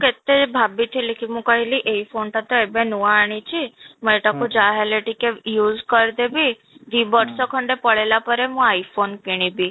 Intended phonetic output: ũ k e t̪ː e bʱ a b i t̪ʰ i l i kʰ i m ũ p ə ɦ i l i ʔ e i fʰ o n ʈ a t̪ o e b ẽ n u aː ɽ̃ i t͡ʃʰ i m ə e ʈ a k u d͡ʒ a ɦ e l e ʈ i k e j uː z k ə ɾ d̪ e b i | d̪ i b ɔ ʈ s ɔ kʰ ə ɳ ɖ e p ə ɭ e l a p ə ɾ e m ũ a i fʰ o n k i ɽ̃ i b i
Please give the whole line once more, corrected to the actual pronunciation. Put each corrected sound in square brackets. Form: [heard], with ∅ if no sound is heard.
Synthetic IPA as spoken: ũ k e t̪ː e bʱ a b i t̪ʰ i l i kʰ i m ũ [k] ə ɦ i l i ʔ e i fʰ o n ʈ a t̪ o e b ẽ n u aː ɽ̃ i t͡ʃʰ i m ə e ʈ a k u d͡ʒ a ɦ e l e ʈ i k e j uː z k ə ɾ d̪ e b i | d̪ i b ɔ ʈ s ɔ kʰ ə ɳ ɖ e p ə ɭ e l a p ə ɾ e m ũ a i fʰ o n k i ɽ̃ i b i

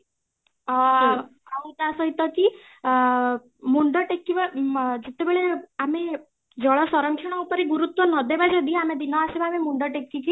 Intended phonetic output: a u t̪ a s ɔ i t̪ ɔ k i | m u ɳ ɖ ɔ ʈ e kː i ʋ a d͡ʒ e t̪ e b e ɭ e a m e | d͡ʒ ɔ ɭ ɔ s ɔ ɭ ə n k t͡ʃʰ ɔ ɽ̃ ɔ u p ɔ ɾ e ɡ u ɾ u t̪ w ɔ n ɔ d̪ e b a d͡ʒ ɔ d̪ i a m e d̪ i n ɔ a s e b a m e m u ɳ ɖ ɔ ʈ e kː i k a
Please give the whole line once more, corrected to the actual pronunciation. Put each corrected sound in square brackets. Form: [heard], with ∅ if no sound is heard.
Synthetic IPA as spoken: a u t̪ a s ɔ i t̪ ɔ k i | m u ɳ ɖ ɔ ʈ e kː i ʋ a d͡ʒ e t̪ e b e ɭ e a m e | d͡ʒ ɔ ɭ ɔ s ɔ [ɾ] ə [ŋ] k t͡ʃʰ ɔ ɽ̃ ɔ u p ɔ ɾ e ɡ u ɾ u t̪ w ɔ n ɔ d̪ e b a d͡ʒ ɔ d̪ i a m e d̪ i n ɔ a s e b a m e m u ɳ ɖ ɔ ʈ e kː i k [i]

